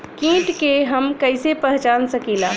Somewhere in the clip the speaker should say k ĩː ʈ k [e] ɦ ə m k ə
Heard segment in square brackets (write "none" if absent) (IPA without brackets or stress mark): e